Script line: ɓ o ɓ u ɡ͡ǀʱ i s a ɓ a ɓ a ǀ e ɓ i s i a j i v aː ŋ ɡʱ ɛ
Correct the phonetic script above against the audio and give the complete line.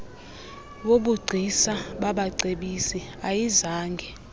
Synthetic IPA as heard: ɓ o ɓ u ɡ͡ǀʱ i s a ɓ a ɓ a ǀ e ɓ i s i a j i z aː ŋ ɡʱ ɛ